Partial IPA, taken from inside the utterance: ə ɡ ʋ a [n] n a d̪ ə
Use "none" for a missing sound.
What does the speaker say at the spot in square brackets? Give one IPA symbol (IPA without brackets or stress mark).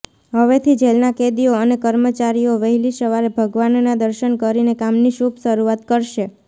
n